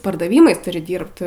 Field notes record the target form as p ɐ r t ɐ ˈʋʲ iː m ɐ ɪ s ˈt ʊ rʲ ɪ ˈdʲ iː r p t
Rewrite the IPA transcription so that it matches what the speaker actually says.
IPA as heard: p ɐ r d ɐ ˈʋʲ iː m ɐ ɪ s ˈt ʊ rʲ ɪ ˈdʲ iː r p t